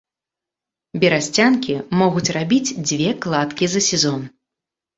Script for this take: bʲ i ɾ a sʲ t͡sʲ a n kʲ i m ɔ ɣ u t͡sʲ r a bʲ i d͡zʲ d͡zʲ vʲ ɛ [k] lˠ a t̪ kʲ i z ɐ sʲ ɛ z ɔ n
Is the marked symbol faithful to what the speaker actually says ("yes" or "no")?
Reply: yes